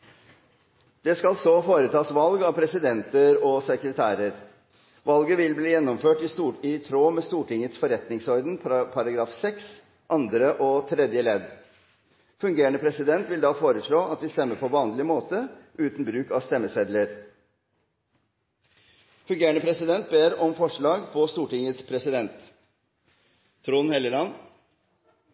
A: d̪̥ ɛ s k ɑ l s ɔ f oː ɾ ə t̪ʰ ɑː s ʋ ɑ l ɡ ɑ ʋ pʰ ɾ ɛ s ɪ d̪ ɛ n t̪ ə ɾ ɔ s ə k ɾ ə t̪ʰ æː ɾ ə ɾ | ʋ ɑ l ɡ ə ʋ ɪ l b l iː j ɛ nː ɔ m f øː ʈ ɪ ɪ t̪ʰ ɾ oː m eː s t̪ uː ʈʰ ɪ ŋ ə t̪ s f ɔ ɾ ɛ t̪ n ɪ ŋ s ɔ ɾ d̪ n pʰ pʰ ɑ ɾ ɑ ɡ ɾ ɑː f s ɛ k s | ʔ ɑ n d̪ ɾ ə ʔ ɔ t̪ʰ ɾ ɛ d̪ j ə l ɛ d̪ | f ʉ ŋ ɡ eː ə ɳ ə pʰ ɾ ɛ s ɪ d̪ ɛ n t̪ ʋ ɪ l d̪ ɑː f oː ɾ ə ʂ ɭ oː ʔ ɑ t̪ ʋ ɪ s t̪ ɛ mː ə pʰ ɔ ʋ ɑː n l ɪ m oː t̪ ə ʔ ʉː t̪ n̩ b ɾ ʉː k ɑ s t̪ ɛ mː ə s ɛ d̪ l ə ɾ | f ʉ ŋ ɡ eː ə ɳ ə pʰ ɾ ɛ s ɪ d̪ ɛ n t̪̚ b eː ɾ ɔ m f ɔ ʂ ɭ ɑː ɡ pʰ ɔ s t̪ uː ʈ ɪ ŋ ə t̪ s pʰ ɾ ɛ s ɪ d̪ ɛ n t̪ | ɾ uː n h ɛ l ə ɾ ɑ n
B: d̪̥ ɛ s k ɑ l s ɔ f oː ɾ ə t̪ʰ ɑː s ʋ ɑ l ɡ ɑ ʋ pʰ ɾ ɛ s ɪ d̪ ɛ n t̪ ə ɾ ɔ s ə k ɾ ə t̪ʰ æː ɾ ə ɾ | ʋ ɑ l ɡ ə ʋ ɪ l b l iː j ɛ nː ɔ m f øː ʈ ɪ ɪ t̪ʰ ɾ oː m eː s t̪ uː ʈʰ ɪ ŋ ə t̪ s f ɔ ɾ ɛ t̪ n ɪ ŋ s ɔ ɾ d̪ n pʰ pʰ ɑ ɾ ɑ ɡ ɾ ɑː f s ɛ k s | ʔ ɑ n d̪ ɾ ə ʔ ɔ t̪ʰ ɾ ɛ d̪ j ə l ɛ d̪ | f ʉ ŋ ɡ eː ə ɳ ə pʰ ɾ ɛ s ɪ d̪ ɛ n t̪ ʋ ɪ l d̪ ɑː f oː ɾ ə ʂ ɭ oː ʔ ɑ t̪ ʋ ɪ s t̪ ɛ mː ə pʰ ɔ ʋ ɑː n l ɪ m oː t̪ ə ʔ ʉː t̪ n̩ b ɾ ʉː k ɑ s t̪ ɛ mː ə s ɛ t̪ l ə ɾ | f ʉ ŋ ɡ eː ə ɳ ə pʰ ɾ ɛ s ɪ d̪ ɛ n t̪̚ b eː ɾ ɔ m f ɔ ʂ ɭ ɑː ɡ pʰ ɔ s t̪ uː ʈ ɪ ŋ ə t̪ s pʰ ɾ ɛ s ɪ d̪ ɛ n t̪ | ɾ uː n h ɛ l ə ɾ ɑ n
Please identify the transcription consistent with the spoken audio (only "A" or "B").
A